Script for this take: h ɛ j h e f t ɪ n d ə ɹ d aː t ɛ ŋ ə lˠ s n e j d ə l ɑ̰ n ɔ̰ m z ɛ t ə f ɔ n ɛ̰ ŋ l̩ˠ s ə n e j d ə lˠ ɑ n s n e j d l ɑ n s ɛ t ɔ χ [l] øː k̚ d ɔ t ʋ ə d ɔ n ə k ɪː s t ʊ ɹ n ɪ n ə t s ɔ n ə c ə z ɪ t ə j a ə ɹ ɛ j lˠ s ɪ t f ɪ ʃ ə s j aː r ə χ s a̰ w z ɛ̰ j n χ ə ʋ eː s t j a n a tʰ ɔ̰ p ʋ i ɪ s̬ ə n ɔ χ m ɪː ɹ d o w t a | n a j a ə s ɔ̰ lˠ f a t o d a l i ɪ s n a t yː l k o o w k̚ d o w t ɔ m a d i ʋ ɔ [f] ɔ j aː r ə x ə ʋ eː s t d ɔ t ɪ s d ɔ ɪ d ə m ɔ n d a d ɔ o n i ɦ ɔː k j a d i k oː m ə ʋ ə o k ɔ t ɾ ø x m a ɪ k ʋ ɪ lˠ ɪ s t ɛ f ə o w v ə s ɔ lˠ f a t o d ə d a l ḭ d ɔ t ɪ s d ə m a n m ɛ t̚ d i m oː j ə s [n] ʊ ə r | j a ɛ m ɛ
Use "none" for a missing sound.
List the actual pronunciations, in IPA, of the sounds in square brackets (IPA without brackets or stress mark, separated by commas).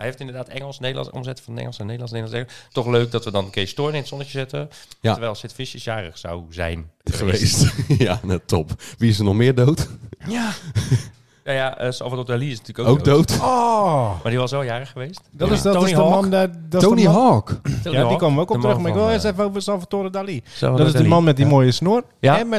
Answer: l, s, n